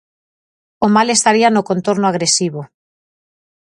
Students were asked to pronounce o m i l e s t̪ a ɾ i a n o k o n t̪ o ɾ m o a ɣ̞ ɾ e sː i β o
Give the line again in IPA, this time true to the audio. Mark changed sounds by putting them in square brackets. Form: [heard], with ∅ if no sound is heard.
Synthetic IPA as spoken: o m [a] l e s t̪ a ɾ i a n o k o n t̪ o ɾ [n] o a ɣ̞ ɾ e [s] i β o